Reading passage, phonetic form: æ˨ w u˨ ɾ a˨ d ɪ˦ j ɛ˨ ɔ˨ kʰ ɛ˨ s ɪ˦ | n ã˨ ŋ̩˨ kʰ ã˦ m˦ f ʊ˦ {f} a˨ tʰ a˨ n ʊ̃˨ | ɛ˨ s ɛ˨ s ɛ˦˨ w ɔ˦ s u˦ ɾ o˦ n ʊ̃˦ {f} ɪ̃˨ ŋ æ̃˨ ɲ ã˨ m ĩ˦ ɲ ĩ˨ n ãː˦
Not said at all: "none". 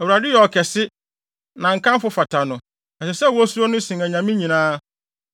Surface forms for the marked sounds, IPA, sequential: f, s

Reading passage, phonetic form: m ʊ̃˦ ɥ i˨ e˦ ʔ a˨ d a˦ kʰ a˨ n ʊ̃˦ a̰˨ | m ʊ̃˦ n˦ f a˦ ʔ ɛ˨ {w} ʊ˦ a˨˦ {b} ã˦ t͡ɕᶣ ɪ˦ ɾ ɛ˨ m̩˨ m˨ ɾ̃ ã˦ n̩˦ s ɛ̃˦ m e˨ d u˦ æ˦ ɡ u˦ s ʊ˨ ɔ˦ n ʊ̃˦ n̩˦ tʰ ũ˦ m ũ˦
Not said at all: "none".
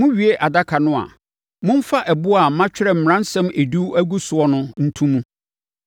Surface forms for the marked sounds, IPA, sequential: b, m

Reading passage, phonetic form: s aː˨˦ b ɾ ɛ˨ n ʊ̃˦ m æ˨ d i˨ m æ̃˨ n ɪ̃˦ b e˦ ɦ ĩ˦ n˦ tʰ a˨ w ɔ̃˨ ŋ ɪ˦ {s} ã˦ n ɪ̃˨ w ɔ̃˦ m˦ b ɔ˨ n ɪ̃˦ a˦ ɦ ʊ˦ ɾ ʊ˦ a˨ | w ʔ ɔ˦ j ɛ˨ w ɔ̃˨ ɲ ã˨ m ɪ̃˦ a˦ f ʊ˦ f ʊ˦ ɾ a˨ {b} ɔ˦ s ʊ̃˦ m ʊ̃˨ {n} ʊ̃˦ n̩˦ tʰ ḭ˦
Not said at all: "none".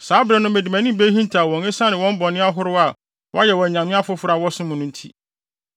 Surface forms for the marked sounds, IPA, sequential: s, w, n

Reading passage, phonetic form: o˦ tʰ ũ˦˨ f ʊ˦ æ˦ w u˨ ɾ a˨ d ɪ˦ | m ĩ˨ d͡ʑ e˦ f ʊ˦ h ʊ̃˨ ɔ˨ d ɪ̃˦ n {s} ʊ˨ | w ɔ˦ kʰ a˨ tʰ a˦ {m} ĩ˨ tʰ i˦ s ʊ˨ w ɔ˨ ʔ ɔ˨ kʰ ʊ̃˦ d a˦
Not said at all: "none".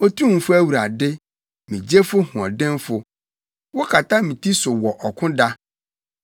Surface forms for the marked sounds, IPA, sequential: f, m

